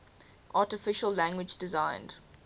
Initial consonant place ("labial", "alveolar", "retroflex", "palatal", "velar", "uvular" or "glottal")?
glottal